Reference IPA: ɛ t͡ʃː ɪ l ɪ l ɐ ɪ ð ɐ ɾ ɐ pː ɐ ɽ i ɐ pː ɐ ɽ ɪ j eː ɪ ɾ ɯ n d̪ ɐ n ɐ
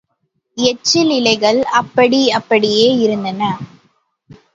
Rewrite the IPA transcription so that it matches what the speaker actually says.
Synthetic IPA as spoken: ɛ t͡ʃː ɪ l ɪ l ɐ ɪ ɣ ɐ ɭ ɐ pː ɐ ɽ i ɐ pː ɐ ɽ ɪ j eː ɪ ɾ ɯ n d̪ ɐ n ɐ